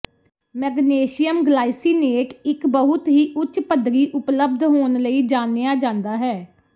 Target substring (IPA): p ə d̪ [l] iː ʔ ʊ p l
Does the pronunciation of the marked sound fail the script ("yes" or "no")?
yes